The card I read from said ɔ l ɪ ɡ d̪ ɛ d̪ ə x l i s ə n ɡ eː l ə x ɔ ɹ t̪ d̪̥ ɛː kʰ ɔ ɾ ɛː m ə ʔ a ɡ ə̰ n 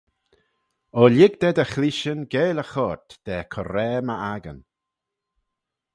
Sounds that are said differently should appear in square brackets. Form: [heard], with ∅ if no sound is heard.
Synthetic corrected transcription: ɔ l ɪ ɡ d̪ ɛ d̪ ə x l i [ʃ] ə n ɡ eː l ə x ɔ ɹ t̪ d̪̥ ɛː kʰ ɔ ɾ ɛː m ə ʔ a ɡ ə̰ n